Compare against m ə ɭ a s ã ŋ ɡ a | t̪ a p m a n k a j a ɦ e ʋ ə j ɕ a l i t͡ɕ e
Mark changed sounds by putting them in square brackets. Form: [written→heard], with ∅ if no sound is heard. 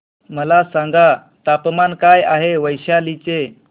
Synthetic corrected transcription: m ə [ɭ→l] a s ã ŋ ɡ a | t̪ a p m a n k a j a ɦ e ʋ ə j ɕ a l i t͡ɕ e